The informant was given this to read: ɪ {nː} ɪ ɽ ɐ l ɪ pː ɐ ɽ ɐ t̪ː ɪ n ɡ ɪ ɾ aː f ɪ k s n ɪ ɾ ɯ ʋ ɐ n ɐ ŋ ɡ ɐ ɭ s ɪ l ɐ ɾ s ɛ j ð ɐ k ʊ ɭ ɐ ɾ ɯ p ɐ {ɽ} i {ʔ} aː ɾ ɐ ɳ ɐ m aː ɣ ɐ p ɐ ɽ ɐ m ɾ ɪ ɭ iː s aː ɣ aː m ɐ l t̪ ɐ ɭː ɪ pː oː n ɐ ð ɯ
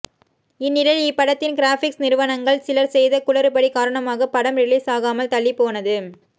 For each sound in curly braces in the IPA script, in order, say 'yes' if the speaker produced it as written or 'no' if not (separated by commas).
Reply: yes, yes, no